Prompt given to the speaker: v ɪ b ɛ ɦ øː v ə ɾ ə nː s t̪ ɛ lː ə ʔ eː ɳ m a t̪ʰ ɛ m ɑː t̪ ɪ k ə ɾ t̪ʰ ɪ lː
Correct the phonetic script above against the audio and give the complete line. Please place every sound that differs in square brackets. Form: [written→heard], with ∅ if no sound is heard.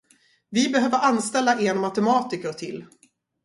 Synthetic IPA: v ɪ b ɛ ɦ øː v ə ɾ [ə→a] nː s t̪ ɛ lː [ə→a] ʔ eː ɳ m a [t̪ʰ→t̪] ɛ m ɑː t̪ ɪ k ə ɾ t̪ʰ ɪ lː